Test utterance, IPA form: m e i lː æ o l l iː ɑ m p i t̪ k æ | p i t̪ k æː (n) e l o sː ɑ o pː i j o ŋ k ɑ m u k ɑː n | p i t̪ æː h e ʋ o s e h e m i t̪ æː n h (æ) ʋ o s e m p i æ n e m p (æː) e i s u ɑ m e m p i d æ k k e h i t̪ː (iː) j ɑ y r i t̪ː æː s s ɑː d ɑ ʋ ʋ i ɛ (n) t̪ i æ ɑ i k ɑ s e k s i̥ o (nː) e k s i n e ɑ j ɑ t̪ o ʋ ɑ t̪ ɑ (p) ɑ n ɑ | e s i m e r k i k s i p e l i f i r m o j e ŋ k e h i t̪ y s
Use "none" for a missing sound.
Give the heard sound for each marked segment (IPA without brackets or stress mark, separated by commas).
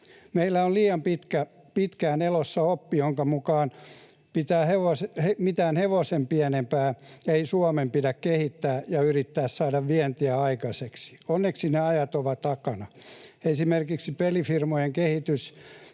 n, e, æː, æː, n, nː, k